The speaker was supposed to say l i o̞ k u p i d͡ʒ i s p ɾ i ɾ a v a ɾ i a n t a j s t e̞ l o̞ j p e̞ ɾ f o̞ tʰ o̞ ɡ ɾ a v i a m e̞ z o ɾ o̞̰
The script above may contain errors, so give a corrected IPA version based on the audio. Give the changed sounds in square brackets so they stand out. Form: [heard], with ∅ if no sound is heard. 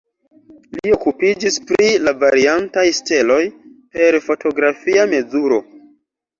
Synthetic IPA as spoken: l i o̞ k u p i d͡ʒ i s p ɾ i [l] a v a ɾ i a n t a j s t e̞ l o̞ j p e̞ ɾ f o̞ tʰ o̞ ɡ ɾ a [f] i a m e̞ z [u] ɾ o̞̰